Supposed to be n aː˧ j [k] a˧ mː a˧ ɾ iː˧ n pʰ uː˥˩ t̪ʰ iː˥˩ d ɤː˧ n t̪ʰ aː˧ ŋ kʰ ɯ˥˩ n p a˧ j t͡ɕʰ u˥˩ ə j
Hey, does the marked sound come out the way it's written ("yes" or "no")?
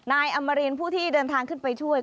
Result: no